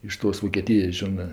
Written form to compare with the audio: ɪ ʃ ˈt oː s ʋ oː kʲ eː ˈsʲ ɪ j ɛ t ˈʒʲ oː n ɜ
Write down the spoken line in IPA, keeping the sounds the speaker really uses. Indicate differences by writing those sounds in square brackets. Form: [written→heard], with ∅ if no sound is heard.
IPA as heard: ɪ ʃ ˈt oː s ʋ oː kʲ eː [ˈsʲ→ˈtʲ] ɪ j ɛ [t→s] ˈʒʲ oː n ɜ